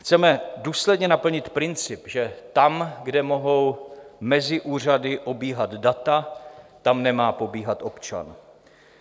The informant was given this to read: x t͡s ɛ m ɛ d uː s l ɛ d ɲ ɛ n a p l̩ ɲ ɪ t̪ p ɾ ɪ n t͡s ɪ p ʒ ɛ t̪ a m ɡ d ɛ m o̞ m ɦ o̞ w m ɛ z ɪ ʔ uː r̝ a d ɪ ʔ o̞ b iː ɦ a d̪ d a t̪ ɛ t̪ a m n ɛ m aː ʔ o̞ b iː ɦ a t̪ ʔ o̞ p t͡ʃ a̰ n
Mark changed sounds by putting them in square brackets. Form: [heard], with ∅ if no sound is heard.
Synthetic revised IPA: x t͡s ɛ m ɛ d uː s l ɛ d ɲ ɛ n a p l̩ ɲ ɪ t̪ p ɾ ɪ n t͡s ɪ p ʒ ɛ t̪ a m ɡ d ɛ m o̞ [∅] ɦ o̞ w m ɛ z ɪ ʔ uː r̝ a d ɪ ʔ o̞ b iː ɦ a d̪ d a t̪ [a] t̪ a m n ɛ m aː [p] o̞ b iː ɦ a t̪ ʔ o̞ p t͡ʃ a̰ n